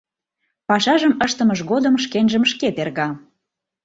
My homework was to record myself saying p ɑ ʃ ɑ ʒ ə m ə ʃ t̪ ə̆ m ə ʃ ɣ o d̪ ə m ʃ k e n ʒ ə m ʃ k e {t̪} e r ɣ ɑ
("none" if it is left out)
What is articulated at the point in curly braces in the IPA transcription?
t̪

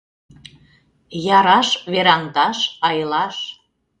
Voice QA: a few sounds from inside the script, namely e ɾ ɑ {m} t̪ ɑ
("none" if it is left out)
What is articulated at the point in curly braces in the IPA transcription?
ŋ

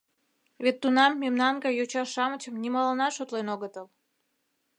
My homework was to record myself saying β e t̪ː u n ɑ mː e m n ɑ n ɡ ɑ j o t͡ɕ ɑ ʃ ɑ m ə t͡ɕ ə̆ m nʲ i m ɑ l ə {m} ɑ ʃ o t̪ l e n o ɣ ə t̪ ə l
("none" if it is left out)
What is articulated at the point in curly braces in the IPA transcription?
n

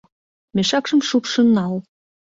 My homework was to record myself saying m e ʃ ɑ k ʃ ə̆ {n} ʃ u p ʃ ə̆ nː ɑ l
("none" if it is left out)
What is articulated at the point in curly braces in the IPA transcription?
m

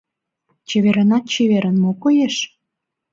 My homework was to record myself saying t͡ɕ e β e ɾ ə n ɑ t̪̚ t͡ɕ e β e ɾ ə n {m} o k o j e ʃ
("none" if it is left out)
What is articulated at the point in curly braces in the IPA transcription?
m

